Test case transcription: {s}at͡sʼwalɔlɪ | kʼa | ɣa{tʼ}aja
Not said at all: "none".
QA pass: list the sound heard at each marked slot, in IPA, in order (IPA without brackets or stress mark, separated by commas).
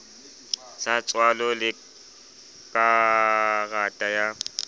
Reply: s, tʼ